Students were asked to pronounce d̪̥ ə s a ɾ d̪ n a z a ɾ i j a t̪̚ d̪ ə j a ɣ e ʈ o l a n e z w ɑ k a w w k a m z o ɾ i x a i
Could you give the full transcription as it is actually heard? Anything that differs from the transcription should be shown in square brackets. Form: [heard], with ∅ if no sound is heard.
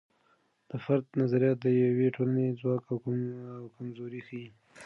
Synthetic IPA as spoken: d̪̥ ə [f] a ɾ d̪ n a z a ɾ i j [ɑ] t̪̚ d̪ ə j a [w] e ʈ o l a n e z w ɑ k a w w k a m z o ɾ i x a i